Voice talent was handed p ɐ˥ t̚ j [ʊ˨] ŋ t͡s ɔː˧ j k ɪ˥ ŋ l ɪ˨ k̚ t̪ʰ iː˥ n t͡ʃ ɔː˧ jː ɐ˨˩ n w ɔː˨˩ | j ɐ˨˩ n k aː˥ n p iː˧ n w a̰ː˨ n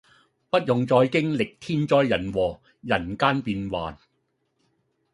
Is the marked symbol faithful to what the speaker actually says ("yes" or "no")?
yes